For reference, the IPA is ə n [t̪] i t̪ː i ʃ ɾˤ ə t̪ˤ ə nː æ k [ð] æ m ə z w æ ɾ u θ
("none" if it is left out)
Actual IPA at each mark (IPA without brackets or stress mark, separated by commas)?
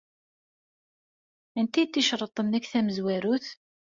t̪, θ